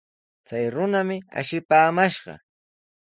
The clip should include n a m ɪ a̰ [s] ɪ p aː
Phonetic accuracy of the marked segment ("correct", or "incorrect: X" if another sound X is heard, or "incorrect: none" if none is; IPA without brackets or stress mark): incorrect: ʃ